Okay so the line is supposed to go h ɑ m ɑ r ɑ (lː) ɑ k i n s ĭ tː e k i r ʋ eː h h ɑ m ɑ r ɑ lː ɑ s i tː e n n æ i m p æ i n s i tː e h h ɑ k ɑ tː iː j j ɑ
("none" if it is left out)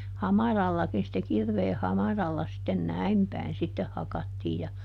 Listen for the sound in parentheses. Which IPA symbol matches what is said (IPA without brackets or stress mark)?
lː